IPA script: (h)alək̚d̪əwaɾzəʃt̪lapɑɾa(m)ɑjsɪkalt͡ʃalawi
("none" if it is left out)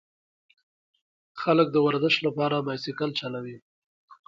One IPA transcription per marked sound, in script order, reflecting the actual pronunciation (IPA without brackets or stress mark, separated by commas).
x, m